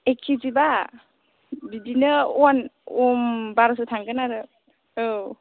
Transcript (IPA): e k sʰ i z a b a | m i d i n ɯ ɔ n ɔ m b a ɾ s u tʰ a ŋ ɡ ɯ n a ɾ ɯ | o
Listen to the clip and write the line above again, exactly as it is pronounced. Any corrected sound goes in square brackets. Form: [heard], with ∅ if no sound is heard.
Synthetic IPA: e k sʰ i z [i] b a | [b] i d i n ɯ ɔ n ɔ m b a ɾ s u tʰ a ŋ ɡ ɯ n a ɾ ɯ | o